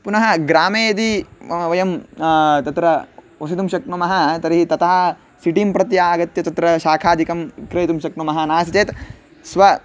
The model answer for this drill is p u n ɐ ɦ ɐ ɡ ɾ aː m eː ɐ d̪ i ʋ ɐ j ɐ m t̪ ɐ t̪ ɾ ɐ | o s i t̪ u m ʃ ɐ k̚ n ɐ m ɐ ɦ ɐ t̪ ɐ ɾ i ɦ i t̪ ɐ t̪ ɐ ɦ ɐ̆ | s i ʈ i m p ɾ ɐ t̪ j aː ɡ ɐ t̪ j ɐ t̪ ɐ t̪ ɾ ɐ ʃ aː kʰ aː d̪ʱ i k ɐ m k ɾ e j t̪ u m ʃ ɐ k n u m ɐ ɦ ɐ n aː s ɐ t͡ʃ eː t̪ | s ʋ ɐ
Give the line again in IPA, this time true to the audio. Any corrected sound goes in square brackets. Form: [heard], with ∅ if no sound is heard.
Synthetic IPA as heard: p u n ɐ ɦ ɐ ɡ ɾ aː m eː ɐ d̪ i ʋ ɐ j ɐ m t̪ ɐ t̪ ɾ ɐ | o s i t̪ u m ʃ ɐ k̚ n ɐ m ɐ ɦ ɐ t̪ ɐ ɾ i ɦ i t̪ ɐ t̪ ɐ ɦ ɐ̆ | s i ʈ i m p ɾ ɐ t̪ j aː ɡ ɐ t̪ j ɐ t̪ ɐ t̪ ɾ ɐ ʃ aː kʰ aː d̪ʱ i k ɐ m k ɾ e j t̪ u m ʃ ɐ k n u m ɐ ɦ ɐ n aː s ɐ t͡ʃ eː t̪ | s ʋ ɐ